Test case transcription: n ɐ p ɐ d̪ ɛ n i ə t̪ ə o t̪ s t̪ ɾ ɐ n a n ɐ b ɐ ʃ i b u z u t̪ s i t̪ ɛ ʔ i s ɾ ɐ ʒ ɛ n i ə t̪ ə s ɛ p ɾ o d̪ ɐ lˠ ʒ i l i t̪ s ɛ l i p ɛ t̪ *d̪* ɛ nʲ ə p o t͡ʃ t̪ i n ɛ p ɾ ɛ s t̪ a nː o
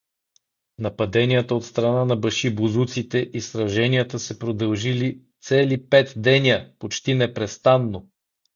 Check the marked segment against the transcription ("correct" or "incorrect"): correct